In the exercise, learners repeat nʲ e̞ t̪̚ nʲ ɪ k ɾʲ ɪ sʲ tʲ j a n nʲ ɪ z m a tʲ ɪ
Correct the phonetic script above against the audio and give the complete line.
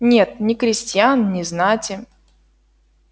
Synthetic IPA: nʲ e̞ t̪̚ nʲ ɪ k ɾʲ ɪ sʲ tʲ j a n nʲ ɪ z n a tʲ ɪ